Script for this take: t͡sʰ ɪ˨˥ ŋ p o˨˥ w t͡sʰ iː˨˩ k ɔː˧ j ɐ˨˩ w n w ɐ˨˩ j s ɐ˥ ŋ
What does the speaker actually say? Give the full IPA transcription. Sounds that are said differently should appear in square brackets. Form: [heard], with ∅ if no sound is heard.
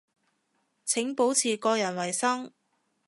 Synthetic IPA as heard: t͡sʰ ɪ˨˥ ŋ p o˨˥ w t͡sʰ iː˨˩ k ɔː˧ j ɐ˨˩ [∅] n w ɐ˨˩ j s ɐ˥ ŋ